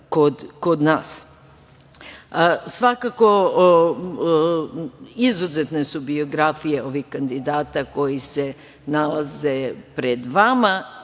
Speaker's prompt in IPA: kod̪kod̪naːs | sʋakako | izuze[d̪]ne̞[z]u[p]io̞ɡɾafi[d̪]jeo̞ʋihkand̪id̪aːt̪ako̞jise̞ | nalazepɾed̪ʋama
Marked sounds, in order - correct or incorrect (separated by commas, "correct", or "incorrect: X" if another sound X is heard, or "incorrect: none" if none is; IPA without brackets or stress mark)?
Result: incorrect: t̪, incorrect: s, incorrect: b, incorrect: none